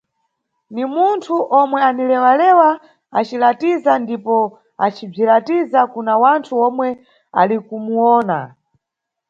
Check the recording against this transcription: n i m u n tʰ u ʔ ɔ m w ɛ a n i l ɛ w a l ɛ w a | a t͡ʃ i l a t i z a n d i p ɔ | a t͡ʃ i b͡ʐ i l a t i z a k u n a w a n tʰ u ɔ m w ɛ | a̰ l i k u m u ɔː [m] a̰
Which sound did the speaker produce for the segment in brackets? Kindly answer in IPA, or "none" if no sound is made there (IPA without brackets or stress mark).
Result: n